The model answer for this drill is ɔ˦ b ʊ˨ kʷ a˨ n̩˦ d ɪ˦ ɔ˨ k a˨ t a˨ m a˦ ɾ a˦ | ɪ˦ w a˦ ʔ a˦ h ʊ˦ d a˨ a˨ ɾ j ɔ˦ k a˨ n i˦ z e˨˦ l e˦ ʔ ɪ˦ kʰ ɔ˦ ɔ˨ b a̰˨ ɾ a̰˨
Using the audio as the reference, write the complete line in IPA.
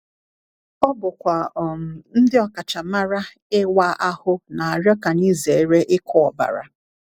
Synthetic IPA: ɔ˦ b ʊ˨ kʷ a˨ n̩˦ d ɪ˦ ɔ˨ k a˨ t͡ʃ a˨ m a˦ ɾ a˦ | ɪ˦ w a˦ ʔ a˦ h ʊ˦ n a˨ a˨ ɾ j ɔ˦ k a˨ n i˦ z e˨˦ ɾ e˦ ʔ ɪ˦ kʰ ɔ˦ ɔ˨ b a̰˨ ɾ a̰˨